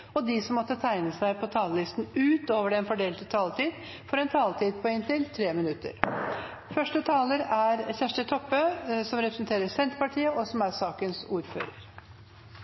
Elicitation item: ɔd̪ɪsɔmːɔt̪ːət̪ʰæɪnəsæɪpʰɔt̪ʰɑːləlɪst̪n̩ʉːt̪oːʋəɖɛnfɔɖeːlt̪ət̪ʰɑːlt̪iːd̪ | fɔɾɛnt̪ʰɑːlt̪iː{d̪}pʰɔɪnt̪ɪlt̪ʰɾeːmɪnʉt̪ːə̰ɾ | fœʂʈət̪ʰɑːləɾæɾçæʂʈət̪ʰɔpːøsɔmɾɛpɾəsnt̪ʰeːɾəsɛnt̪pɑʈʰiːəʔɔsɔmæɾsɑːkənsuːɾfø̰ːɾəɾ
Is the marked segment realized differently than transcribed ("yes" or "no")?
no